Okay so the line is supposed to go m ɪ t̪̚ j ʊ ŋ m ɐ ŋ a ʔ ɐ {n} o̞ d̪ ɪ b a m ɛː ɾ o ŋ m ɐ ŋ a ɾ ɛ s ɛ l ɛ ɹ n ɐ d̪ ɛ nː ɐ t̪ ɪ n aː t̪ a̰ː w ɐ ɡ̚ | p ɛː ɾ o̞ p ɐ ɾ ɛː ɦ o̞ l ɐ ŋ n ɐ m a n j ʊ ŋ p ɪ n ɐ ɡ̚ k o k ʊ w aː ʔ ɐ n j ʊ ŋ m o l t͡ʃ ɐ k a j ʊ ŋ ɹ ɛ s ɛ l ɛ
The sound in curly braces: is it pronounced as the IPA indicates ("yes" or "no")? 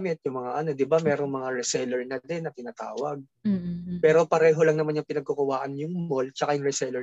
yes